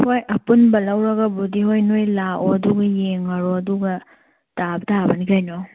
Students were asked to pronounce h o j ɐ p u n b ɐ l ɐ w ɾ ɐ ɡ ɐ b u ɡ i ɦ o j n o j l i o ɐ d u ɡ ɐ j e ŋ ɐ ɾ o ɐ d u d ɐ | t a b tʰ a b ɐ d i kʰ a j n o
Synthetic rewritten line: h o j ɐ p u n b ɐ l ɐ w ɾ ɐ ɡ ɐ b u d i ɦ o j n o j l a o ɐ d u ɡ ɐ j e ŋ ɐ ɾ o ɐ d u ɡ ɐ | t a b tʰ a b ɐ n i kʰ a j n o